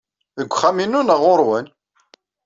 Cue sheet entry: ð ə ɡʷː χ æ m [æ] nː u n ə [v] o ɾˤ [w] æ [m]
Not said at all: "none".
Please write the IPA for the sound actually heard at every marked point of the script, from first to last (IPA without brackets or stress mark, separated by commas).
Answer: i, ʁ, w, n